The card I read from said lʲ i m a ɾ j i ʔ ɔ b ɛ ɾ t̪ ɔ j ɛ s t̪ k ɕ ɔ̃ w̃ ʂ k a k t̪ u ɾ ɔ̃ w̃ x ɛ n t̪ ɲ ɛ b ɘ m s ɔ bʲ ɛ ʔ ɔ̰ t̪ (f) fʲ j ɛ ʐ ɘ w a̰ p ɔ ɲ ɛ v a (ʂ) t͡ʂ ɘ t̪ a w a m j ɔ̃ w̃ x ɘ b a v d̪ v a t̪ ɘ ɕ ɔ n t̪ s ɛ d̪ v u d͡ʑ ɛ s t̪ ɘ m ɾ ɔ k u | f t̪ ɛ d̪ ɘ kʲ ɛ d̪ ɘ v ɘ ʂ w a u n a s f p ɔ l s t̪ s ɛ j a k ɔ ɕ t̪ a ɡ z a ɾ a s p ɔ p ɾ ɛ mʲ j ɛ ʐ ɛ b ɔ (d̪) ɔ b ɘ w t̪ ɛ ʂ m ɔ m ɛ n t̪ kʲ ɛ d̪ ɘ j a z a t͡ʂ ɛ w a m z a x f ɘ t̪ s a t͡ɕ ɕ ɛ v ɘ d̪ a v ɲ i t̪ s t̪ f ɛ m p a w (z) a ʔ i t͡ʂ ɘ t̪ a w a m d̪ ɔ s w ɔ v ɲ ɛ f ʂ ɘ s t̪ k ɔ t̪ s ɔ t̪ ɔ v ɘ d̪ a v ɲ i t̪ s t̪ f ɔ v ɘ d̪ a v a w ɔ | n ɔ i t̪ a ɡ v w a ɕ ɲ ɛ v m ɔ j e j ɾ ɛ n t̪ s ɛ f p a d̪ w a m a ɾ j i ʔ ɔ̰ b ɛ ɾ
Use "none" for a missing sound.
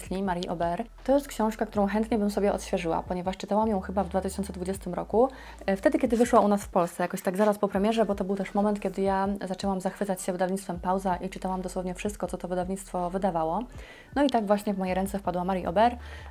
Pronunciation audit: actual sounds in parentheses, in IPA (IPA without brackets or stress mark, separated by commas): ɕ, ʂ, t̪, z